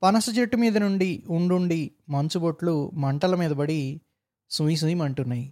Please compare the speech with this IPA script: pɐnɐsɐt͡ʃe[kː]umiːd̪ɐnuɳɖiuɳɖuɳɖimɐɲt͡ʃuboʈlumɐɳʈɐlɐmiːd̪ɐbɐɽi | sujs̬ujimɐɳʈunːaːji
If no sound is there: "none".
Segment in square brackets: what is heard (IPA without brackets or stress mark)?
ʈː